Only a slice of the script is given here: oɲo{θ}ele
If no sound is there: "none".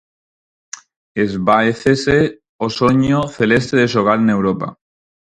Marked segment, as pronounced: θ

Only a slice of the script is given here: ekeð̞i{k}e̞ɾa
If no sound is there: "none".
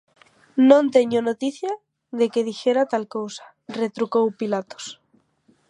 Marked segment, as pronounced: x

